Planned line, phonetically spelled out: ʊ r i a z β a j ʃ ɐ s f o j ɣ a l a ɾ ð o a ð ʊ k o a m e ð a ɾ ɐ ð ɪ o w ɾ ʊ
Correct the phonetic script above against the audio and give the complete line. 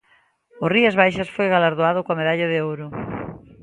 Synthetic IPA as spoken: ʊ r i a z β a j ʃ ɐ s f o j ɣ a l a ɾ ð o a ð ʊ k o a m e ð a ʎ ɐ ð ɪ o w ɾ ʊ